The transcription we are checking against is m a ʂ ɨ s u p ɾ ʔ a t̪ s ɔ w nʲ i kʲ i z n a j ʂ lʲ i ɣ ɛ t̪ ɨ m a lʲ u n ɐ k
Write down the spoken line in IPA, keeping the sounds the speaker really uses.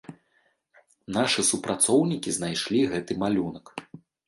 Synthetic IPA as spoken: n a ʂ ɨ s u p ɾ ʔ a t̪ s ɔ w nʲ i kʲ i z n a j ʂ lʲ i ɣ ɛ t̪ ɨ m a lʲ u n ɐ k